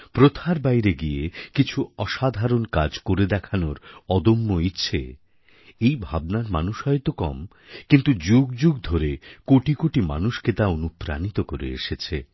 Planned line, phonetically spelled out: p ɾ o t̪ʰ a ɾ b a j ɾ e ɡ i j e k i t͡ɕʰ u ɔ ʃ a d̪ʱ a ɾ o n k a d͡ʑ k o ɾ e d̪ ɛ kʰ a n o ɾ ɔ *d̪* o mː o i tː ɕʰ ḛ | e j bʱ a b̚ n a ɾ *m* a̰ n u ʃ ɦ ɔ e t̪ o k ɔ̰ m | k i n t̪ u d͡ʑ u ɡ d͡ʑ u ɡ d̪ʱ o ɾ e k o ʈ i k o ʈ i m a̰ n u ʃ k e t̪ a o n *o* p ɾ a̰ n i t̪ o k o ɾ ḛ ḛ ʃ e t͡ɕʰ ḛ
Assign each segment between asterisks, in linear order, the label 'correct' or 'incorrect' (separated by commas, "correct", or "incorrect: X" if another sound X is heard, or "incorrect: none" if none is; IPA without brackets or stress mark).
correct, correct, incorrect: u